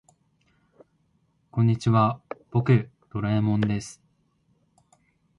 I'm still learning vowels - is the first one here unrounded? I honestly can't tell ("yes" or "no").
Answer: no